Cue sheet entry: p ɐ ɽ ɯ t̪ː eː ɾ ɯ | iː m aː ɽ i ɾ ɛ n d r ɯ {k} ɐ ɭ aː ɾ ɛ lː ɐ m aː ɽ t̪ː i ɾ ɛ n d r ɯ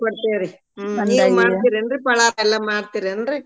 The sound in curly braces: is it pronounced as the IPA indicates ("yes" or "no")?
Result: no